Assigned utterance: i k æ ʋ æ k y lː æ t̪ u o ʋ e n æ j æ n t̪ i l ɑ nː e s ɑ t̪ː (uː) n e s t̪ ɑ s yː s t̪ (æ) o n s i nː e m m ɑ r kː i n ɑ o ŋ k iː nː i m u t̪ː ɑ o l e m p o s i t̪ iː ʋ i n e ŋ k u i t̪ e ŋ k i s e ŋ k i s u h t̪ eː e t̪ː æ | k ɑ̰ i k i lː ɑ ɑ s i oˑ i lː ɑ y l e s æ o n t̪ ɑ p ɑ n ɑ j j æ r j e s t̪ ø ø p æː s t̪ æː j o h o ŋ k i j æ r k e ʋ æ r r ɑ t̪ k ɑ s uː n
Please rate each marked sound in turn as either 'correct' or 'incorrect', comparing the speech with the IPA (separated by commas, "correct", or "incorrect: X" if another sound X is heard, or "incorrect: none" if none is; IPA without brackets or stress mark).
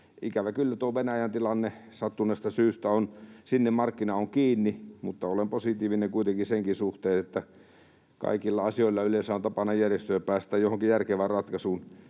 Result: incorrect: u, correct